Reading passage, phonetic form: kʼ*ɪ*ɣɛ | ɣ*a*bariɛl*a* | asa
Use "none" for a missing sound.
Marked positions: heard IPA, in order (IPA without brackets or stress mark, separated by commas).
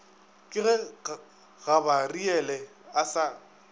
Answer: ɪ, a, ɛ